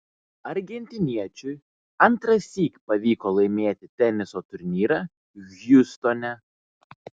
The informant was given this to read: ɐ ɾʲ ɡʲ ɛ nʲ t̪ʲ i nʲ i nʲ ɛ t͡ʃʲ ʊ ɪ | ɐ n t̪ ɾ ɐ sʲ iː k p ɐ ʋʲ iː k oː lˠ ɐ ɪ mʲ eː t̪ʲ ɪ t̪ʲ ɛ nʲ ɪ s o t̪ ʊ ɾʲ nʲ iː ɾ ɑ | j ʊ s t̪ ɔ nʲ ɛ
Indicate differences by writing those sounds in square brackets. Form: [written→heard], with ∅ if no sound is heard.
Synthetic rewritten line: ɐ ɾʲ ɡʲ ɛ nʲ t̪ʲ [i→ɪ] nʲ i [nʲ→∅] ɛ t͡ʃʲ ʊ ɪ | ɐ n t̪ ɾ ɐ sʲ iː k p ɐ ʋʲ iː k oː lˠ ɐ ɪ mʲ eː t̪ʲ ɪ t̪ʲ ɛ nʲ ɪ s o t̪ ʊ ɾʲ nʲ iː ɾ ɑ | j ʊ s t̪ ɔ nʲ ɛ